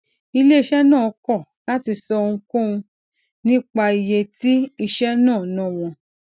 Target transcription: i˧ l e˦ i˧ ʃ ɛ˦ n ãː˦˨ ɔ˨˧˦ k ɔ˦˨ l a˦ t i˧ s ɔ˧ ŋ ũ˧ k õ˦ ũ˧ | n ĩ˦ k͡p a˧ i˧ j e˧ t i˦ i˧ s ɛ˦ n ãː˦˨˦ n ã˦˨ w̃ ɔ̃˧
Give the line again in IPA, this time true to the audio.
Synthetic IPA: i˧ l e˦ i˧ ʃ ɛ˦ n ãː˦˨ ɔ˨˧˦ k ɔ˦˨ l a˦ t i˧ s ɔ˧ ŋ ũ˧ k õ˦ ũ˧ | n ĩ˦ k͡p a˧ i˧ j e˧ t i˦ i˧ ʃ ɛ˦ n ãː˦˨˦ n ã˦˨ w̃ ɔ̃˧